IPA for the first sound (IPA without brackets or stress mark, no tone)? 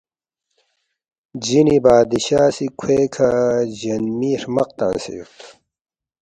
d͡ʑ